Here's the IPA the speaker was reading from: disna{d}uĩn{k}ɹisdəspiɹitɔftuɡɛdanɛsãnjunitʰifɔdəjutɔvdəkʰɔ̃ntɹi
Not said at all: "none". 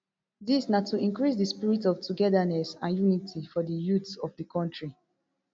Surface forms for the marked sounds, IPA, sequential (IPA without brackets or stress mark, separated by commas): t, k